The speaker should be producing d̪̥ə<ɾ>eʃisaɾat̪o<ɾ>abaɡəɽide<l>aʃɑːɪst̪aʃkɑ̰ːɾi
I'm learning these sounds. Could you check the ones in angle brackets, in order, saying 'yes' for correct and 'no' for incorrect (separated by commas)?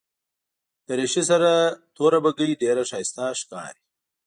yes, yes, no